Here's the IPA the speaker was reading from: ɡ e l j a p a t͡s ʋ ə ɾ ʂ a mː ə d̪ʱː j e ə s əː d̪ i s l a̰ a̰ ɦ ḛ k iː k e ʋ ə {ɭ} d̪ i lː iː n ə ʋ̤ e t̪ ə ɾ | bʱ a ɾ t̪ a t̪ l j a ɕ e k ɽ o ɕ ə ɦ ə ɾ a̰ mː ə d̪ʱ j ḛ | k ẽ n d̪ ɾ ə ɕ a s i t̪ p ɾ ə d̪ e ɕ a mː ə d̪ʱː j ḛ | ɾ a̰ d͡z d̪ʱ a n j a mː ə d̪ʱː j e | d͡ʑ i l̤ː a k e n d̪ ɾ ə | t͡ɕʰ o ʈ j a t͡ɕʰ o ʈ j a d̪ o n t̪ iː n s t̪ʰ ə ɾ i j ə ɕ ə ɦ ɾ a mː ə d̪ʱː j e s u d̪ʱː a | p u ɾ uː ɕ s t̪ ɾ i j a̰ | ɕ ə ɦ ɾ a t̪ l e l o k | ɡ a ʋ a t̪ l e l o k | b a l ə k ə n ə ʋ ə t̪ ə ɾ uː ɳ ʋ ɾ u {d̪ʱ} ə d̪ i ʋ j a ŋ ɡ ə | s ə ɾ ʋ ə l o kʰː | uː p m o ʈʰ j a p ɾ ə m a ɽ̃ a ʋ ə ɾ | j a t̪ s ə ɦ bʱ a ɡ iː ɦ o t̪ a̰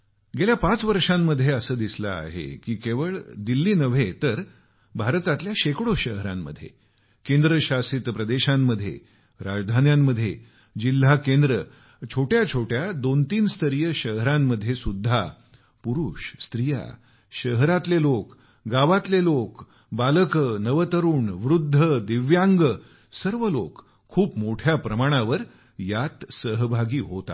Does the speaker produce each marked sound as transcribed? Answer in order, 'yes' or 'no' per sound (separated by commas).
yes, no